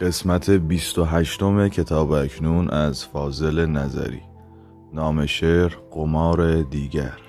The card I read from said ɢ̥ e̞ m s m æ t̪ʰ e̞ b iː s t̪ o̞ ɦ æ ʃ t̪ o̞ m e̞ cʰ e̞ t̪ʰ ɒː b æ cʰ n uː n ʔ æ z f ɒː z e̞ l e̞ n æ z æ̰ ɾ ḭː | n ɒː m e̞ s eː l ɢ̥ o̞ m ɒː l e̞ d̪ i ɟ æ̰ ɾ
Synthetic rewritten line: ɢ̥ e̞ s m æ t̪ʰ e̞ b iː s t̪ o̞ ɦ æ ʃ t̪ o̞ m e̞ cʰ e̞ t̪ʰ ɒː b æ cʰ n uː n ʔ æ z f ɒː z e̞ l e̞ n æ z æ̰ ɾ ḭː | n ɒː m e̞ ʃ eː ɾ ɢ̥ o̞ m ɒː ɾ e̞ d̪ iː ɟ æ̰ ɾ